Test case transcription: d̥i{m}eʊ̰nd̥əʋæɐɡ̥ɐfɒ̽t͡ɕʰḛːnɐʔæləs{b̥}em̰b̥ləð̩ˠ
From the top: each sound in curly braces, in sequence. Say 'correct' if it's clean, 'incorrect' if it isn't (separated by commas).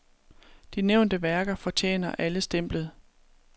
incorrect, incorrect